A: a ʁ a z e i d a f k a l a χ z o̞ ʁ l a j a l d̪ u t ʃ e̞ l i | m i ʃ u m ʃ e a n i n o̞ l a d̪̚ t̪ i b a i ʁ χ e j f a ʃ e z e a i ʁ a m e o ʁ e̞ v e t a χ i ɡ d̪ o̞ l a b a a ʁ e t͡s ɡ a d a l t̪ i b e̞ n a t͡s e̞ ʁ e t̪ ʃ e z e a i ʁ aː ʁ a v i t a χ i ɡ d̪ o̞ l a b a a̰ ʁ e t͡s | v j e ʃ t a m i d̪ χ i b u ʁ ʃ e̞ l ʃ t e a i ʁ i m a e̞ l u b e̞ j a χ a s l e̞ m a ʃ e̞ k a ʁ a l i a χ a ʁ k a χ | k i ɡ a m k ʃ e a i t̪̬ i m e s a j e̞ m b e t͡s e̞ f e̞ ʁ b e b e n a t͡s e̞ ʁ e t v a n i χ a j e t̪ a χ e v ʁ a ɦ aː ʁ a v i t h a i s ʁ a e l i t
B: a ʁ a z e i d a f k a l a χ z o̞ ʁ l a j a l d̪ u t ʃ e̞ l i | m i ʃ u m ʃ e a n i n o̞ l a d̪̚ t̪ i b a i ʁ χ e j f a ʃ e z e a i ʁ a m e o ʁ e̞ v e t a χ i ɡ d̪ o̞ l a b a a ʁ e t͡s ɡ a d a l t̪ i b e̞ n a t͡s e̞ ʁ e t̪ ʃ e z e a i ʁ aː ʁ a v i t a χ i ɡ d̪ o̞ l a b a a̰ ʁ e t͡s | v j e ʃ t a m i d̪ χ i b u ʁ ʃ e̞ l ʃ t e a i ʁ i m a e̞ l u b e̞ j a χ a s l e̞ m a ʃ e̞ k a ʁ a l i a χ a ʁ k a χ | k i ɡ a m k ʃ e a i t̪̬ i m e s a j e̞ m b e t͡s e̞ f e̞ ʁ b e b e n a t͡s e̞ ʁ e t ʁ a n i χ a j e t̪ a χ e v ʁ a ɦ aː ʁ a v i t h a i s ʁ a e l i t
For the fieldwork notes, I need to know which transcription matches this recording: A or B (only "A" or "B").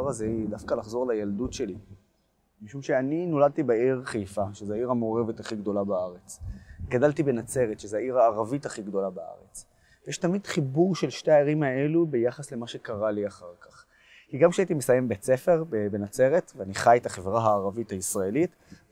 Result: A